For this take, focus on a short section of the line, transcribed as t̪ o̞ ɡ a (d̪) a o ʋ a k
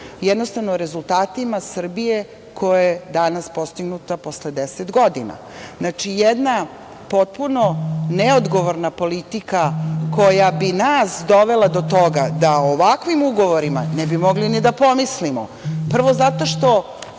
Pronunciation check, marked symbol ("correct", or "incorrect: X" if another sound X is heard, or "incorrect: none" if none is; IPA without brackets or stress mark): correct